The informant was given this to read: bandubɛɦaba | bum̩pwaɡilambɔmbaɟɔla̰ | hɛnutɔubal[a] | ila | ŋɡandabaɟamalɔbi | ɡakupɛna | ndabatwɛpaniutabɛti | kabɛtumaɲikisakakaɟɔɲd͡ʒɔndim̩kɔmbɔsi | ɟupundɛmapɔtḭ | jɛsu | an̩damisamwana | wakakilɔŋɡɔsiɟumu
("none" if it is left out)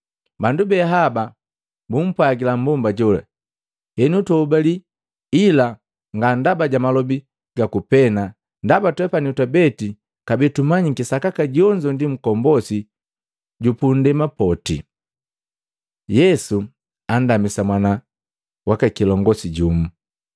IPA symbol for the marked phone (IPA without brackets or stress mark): i